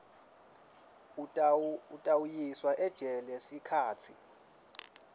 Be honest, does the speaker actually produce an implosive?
no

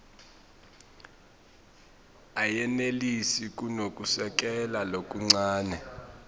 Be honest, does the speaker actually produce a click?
yes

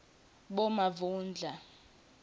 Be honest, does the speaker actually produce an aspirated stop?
no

